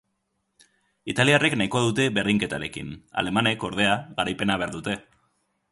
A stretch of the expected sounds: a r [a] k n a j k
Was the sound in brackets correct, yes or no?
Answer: no